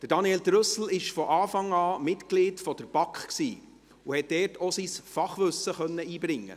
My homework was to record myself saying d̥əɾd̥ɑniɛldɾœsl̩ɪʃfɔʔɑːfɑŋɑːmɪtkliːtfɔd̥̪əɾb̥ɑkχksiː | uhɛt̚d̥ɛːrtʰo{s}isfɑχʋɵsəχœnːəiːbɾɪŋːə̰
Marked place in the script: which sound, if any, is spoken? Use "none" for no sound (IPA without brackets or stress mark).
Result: s